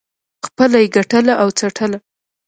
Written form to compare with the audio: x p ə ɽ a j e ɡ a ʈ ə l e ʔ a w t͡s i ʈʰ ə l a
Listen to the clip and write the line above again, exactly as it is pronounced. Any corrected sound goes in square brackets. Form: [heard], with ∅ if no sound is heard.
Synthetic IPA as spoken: x p ə [l] a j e ɡ a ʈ ə l [a] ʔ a w t͡s [a] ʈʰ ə l a